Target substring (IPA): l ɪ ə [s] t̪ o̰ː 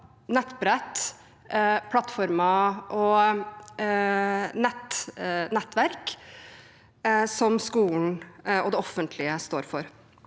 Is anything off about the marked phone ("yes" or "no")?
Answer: no